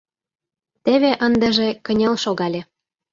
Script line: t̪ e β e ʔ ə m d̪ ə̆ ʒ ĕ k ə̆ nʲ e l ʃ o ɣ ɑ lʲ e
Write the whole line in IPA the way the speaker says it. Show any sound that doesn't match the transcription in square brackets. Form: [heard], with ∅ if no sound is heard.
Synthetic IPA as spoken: t̪ e β e ʔ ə [n] d̪ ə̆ ʒ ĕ k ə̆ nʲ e l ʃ o ɣ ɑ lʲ e